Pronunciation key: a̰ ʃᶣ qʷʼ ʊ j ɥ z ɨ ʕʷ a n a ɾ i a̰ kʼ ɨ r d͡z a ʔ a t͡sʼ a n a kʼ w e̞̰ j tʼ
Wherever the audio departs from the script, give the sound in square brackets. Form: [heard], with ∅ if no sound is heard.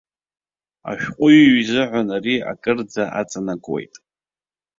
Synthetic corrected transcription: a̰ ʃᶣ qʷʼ ʊ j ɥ z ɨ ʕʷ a n a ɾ i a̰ kʼ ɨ r d͡z a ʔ a t͡sʼ a n a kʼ w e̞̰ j tʼ